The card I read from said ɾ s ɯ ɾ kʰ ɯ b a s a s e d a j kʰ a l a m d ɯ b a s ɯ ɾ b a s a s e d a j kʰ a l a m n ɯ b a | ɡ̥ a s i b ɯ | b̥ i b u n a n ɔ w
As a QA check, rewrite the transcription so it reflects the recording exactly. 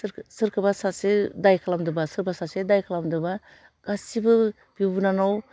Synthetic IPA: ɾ s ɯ ɾ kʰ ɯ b a s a s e d a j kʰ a l a m d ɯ b a s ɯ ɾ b a s a s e d a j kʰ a l a m d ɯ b a | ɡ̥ a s i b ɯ | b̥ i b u n a n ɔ w